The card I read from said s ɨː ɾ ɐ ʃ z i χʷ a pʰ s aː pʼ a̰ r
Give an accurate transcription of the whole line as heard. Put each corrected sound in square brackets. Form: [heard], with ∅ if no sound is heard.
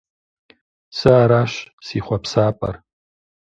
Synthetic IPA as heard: s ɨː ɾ [a] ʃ [s] i χʷ a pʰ s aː pʼ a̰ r

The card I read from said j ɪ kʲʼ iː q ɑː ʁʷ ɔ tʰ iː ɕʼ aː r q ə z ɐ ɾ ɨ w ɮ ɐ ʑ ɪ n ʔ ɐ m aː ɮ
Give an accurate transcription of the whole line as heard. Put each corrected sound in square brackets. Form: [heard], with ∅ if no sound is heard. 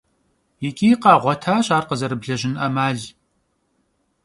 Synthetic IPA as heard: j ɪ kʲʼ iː q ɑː ʁʷ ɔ tʰ [aː] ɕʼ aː r q ə z ɐ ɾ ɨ [b] ɮ ɐ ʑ ɪ n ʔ ɐ m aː ɮ

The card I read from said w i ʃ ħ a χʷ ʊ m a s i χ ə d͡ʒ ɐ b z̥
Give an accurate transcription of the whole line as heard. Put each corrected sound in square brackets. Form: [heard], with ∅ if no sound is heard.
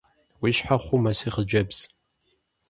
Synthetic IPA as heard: w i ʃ ħ a χʷ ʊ m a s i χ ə d͡ʒ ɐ b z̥

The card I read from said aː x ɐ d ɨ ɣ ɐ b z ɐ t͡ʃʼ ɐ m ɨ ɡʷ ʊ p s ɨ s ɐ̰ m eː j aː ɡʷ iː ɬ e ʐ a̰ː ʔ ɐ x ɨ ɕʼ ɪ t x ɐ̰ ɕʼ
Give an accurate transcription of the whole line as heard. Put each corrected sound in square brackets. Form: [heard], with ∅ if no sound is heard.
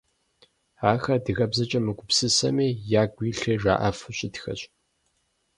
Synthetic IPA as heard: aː x ɐ d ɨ ɣ ɐ b z ɐ t͡ʃʼ ɐ m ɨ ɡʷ ʊ p s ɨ s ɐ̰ m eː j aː ɡʷ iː ɬ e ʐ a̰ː ʔ ɐ [f] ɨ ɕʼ ɪ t x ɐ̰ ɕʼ

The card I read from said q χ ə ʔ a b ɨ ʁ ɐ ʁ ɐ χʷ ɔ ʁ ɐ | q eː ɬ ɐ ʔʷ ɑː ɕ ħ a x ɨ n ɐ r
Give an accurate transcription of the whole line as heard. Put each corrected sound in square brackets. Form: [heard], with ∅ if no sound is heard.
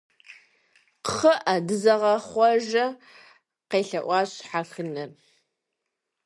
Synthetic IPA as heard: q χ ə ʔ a [d] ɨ [z] ɐ ʁ ɐ χʷ ɔ [ʒ] ɐ | q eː ɬ ɐ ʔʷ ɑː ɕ ħ a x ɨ n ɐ r

